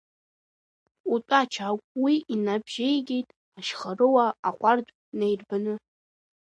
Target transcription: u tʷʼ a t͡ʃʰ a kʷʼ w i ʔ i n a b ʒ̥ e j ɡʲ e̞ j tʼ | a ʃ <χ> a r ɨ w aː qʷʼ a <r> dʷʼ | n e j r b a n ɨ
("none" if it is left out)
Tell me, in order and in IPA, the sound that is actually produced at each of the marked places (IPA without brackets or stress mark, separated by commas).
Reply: χ, r